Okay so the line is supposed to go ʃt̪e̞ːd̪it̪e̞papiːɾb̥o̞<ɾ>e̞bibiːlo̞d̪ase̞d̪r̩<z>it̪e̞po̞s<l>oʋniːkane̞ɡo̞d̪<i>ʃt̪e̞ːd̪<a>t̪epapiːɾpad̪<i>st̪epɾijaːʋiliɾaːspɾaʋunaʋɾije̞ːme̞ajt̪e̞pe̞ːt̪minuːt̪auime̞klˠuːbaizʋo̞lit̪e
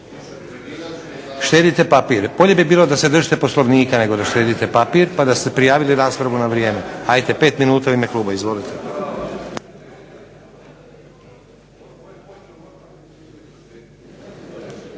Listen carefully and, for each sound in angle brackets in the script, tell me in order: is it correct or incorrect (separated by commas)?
incorrect, incorrect, correct, incorrect, incorrect, incorrect